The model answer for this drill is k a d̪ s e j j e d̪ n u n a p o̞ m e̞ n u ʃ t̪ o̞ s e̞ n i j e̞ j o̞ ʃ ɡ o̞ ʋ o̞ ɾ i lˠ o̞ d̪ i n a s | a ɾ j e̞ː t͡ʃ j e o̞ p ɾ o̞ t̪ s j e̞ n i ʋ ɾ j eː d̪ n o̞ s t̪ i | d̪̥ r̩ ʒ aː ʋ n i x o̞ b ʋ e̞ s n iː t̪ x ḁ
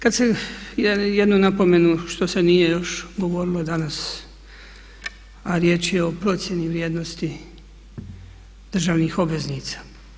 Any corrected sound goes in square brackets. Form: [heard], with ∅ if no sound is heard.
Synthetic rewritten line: k a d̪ s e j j e d̪ n u n a p o̞ m e̞ n u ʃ t̪ o̞ s e̞ n i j e̞ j o̞ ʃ ɡ o̞ ʋ o̞ ɾ i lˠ o̞ d̪ [a] n a s | a ɾ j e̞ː t͡ʃ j e o̞ p ɾ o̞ t̪ s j e̞ n i ʋ ɾ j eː d̪ n o̞ s t̪ i | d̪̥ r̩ ʒ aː ʋ n i x o̞ b ʋ e̞ [z] n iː t̪ [s] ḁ